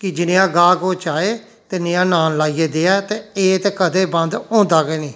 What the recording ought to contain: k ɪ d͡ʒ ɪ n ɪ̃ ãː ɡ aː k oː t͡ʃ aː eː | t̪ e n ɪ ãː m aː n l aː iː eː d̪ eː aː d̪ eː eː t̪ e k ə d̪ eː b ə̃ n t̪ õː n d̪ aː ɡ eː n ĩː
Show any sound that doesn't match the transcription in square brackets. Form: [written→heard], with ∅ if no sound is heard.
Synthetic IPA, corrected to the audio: k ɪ d͡ʒ ɪ n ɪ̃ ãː ɡ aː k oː t͡ʃ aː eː | t̪ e n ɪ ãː [m→n] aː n l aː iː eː d̪ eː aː [d̪→t̪] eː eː t̪ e k ə d̪ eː b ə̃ n [t̪→d̪] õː n d̪ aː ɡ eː n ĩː